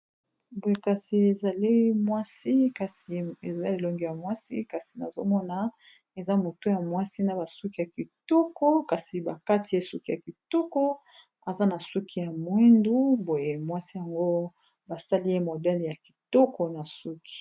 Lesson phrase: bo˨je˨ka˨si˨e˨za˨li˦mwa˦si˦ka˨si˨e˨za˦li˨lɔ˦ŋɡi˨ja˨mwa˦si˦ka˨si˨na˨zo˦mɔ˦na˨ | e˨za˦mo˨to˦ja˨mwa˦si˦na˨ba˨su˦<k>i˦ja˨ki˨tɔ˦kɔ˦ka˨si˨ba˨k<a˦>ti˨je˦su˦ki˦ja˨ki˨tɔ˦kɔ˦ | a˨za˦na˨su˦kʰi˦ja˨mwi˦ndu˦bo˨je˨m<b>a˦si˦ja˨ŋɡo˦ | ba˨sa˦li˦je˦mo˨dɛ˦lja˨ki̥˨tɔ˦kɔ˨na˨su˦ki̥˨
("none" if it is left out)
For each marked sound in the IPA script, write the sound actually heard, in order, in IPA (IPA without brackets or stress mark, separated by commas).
k, a˦, w